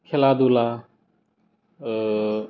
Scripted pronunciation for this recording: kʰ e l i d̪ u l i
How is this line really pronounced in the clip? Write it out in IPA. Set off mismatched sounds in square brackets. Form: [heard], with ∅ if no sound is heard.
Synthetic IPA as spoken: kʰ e l [a] d̪ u l [a]